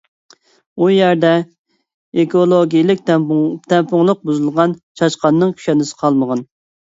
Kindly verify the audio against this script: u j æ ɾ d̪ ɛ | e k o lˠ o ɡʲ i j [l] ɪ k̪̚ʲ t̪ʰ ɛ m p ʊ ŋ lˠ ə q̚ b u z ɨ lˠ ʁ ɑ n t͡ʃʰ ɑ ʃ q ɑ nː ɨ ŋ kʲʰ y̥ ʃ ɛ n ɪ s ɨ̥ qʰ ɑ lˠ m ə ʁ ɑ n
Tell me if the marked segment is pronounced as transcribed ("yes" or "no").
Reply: yes